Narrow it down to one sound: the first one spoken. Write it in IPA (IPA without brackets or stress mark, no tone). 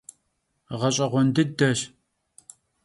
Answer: ʁ